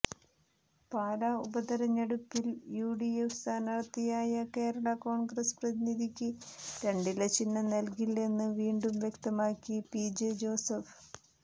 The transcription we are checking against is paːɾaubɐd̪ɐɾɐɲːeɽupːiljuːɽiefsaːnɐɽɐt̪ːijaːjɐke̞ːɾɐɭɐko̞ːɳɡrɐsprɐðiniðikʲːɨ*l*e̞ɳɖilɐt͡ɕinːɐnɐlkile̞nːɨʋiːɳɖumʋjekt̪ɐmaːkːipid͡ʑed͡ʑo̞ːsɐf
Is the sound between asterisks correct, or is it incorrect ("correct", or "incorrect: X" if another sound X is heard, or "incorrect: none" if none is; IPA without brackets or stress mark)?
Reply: incorrect: ɾ